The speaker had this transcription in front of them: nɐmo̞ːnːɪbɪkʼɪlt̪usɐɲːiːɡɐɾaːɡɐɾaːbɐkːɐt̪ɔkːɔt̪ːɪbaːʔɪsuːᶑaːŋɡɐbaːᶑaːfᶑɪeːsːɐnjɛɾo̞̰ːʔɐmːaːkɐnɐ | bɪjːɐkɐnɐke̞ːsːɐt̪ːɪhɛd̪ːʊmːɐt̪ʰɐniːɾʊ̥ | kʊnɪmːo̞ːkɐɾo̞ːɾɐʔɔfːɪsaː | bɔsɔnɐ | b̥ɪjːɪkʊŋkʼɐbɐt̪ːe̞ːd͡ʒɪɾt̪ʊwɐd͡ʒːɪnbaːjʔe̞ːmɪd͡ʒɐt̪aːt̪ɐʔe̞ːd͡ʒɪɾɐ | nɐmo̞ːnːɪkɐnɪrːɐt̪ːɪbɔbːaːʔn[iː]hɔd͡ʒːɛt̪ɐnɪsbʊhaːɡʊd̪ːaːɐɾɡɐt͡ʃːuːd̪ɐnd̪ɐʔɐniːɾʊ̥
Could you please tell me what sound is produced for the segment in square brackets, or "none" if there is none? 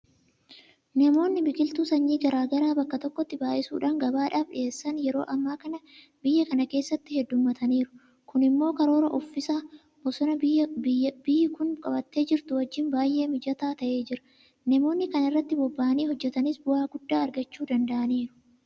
iː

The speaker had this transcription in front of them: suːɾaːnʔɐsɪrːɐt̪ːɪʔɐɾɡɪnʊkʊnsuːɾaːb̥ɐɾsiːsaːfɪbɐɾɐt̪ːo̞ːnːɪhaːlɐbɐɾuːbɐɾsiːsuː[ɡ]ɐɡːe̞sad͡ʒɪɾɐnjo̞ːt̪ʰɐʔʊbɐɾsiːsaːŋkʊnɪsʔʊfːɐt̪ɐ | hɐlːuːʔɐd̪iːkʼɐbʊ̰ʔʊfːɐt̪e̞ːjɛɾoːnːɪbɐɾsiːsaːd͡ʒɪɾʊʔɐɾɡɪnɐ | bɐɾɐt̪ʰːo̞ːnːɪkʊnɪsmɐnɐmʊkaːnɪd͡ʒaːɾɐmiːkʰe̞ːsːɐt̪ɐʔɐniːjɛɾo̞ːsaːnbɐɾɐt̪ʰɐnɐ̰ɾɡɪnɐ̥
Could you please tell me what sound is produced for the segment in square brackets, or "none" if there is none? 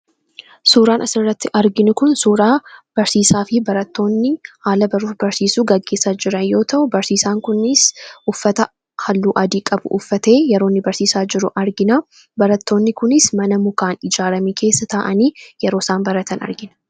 ɡ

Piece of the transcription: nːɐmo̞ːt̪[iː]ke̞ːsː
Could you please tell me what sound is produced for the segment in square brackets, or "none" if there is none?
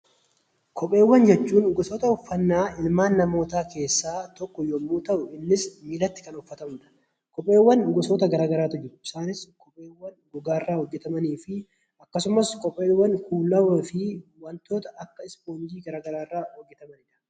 aː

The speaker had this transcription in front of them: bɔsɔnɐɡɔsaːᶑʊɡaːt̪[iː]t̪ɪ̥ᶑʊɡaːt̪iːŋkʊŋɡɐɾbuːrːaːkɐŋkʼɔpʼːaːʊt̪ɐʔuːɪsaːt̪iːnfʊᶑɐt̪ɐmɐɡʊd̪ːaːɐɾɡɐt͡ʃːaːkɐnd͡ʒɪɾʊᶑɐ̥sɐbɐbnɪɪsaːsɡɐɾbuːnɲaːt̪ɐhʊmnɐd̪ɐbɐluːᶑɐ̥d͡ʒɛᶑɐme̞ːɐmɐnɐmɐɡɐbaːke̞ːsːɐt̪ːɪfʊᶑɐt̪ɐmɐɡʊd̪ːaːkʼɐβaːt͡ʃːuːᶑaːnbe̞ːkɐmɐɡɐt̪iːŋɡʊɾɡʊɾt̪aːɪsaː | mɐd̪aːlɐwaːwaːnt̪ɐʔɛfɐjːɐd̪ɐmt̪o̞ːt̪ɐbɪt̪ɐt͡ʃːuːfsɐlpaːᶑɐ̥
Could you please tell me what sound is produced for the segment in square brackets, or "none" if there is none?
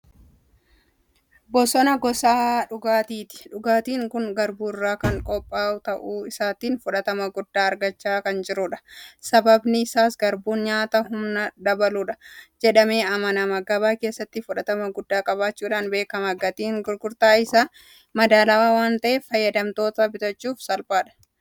iː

